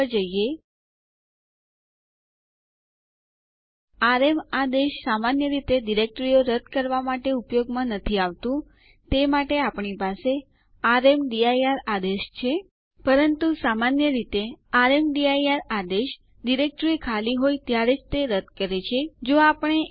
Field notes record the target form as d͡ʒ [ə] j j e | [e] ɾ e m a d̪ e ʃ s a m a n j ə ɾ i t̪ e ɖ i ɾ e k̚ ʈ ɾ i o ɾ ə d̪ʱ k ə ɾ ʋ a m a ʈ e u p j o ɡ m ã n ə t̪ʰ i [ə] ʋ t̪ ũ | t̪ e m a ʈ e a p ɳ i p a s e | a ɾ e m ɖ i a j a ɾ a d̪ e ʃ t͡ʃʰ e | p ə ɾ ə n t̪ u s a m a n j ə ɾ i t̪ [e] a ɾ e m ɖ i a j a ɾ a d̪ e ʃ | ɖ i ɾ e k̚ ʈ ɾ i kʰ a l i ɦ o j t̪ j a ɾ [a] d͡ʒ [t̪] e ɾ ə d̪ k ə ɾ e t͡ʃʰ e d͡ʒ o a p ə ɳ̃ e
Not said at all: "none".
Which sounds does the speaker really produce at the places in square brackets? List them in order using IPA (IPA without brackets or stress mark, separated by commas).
ə, a, a, e, e, t̪